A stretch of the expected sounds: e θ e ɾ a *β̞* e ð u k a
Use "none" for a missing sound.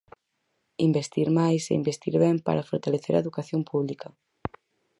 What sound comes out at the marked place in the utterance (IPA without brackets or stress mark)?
none